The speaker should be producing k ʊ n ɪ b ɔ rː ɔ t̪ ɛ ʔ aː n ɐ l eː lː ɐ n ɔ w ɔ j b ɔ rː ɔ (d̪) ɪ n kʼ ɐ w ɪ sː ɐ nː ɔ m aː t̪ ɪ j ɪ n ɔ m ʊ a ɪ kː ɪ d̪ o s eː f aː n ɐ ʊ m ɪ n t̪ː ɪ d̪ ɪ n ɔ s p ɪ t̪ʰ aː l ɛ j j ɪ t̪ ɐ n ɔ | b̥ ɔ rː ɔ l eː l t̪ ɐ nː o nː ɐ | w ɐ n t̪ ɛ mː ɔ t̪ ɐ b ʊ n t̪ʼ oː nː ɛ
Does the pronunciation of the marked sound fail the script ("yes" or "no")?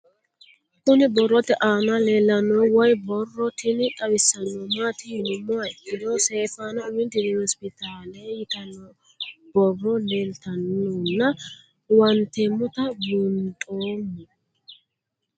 yes